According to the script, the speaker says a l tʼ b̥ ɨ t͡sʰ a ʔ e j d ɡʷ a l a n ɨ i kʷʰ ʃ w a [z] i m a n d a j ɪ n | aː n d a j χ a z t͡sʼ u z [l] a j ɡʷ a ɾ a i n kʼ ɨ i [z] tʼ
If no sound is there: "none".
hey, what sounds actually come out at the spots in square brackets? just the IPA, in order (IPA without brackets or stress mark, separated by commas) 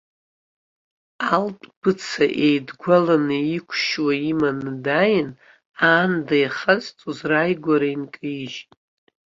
none, r, ʒ